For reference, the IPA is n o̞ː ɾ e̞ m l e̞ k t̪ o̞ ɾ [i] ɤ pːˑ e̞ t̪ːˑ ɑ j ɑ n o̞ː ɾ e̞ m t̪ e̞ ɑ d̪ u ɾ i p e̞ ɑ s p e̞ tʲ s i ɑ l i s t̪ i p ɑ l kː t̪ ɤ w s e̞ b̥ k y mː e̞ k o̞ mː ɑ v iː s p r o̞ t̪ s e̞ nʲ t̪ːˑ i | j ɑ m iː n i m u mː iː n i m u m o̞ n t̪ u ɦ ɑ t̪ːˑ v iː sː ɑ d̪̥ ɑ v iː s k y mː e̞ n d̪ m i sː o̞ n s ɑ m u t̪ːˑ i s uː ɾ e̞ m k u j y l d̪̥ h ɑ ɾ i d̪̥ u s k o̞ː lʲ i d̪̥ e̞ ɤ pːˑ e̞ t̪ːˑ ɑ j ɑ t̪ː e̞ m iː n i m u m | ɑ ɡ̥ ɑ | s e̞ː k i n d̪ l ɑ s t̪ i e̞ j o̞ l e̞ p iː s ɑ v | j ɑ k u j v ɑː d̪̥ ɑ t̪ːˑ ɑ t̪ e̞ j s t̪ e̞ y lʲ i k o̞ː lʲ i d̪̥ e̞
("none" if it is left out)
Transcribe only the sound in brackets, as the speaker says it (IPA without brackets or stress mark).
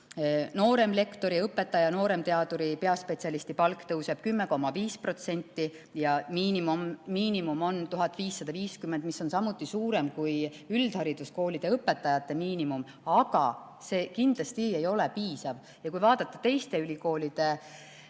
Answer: i